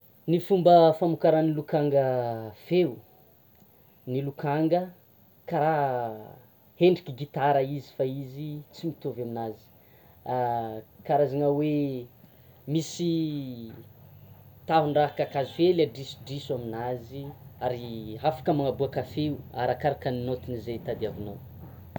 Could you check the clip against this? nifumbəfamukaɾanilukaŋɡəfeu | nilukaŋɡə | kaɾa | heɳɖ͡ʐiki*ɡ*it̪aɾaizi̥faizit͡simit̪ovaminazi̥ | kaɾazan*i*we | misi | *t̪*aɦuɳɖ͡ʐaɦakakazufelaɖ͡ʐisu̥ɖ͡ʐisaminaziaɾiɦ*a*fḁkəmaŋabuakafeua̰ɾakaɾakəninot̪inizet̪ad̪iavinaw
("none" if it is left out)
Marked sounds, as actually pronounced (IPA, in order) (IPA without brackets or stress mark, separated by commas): ɡ, a, t̪, a